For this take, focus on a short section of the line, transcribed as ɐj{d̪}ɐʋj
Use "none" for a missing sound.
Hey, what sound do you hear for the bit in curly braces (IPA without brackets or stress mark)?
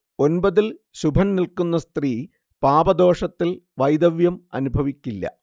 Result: d̪